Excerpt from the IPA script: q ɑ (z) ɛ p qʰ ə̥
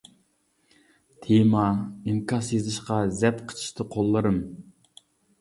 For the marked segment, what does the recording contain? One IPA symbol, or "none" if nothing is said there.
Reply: z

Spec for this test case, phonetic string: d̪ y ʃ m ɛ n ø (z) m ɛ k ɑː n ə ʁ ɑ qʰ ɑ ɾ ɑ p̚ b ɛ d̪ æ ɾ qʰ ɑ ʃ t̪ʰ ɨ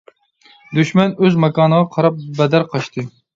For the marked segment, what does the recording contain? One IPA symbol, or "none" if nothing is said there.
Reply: z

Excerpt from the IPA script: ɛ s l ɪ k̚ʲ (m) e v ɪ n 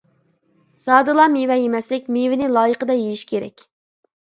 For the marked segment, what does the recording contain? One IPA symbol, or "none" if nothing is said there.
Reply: m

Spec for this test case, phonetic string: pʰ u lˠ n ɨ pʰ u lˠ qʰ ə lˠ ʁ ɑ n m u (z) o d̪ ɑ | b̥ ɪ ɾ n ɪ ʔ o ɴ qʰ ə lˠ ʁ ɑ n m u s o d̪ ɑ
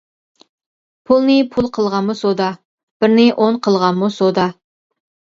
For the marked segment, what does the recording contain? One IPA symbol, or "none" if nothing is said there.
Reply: s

